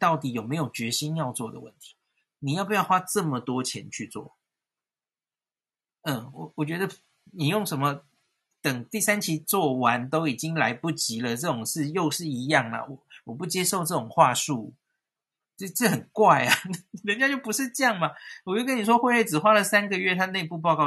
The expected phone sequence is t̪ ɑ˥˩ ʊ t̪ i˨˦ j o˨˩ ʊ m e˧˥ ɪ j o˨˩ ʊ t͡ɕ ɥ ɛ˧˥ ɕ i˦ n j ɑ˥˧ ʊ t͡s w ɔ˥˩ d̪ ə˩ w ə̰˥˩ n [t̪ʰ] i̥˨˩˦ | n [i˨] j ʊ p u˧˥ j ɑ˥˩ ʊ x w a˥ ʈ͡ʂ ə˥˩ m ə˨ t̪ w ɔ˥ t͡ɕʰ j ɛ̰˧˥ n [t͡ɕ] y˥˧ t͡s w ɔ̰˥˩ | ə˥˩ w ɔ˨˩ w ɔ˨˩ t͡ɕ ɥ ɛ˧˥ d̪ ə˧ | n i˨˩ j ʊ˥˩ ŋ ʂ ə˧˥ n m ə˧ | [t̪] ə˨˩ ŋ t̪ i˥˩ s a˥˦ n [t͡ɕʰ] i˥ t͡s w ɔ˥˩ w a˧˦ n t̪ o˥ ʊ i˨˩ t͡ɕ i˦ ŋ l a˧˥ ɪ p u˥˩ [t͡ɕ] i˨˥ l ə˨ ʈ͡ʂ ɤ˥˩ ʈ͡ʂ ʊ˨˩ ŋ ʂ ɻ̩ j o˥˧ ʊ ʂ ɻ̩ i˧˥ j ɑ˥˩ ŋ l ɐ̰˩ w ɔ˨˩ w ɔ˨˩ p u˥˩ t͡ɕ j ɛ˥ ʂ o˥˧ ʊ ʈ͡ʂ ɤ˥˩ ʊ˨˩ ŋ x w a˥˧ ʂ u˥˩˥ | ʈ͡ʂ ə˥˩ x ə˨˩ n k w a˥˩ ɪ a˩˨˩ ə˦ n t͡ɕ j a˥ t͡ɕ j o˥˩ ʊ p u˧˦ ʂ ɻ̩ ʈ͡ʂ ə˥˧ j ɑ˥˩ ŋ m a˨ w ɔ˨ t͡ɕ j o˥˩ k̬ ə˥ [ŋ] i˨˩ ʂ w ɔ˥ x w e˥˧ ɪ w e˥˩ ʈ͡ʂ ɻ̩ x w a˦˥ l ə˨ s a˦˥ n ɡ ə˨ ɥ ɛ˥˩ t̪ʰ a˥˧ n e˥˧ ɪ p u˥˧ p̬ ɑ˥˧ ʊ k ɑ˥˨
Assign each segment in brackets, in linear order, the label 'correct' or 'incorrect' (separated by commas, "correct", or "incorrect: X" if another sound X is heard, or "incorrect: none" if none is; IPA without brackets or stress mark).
correct, correct, incorrect: t͡ɕʰ, correct, correct, correct, incorrect: n